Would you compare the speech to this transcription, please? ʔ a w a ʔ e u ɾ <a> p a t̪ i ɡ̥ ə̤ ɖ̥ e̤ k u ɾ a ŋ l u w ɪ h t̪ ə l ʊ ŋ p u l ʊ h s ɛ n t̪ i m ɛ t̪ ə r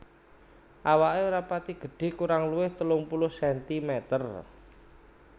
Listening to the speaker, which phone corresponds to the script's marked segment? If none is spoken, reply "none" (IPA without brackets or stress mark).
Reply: a